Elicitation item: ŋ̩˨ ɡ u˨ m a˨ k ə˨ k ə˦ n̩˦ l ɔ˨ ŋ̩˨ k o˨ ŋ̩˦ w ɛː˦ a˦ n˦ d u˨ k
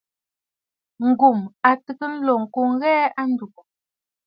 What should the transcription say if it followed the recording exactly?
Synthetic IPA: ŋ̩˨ ɡ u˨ m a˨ t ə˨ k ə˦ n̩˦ l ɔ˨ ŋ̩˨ k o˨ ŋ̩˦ ɣ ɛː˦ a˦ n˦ d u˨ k